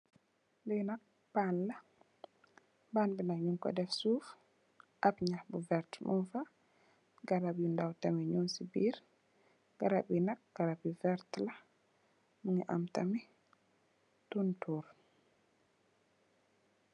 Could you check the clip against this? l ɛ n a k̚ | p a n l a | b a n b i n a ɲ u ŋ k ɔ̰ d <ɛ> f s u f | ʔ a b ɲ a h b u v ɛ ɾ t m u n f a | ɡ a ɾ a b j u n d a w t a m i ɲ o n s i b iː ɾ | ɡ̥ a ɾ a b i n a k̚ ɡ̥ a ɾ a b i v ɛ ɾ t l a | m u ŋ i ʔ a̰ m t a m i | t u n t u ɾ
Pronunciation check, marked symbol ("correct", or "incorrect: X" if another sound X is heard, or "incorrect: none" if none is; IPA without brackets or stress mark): correct